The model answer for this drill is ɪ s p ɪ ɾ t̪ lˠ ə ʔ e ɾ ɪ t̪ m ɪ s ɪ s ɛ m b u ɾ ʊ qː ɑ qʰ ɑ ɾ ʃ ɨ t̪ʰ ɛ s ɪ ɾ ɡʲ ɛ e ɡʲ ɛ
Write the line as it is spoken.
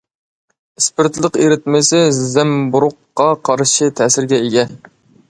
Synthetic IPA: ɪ s p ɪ ɾ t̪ lˠ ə q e ɾ ɪ t̪ m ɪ s ɪ z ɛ m b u ɾ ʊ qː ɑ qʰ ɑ ɾ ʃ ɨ t̪ʰ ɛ s ɪ ɾ ɡʲ ɛ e ɡʲ ɛ